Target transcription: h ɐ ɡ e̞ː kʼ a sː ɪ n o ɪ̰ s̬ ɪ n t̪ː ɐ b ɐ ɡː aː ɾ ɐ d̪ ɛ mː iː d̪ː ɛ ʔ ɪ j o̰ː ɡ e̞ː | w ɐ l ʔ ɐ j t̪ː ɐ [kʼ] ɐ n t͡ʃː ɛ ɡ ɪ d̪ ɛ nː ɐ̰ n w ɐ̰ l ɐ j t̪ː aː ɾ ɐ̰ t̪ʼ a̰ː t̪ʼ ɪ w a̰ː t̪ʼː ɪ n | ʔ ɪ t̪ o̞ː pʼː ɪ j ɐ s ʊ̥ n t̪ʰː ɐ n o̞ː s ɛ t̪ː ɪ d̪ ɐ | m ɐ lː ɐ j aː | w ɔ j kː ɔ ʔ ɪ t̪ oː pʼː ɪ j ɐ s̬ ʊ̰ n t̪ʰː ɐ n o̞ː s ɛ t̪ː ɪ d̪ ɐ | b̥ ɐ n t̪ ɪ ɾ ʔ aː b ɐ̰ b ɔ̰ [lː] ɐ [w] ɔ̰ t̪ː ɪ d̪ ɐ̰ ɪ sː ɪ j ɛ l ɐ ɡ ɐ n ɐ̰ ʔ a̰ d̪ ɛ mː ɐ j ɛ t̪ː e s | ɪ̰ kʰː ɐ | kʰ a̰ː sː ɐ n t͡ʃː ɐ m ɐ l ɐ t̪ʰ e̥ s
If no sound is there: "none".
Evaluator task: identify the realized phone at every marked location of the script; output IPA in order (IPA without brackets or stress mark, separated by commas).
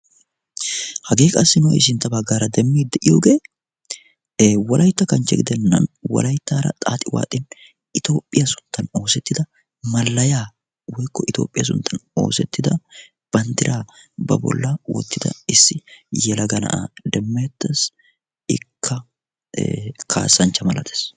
k, lː, w